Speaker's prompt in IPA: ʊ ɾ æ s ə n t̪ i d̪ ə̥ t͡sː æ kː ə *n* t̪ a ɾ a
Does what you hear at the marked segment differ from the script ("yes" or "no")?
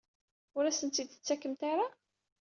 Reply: yes